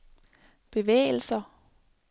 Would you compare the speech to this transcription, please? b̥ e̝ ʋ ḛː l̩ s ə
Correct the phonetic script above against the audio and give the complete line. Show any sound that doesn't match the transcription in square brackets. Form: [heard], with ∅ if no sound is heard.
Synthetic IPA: b̥ e̝ ʋ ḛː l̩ s [ɐ]